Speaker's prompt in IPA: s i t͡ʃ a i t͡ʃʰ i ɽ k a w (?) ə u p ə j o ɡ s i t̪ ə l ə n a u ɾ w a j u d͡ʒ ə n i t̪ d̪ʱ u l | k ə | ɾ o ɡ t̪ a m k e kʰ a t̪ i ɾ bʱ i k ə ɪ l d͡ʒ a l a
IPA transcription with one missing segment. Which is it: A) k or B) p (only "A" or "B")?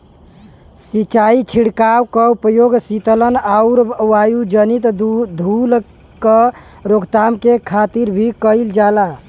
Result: A